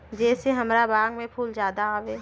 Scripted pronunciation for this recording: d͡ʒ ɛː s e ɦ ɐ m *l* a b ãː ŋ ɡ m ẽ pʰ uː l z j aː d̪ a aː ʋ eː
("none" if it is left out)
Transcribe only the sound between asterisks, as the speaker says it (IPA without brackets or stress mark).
ɾ